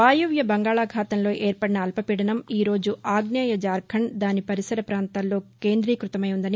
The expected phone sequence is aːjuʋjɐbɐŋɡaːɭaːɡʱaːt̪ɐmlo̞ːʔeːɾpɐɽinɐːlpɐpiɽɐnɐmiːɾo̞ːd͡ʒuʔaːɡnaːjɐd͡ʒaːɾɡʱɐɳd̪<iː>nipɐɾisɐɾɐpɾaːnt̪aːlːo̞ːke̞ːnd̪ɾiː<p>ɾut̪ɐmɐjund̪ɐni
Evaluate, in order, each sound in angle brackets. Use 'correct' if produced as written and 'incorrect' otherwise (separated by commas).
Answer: incorrect, incorrect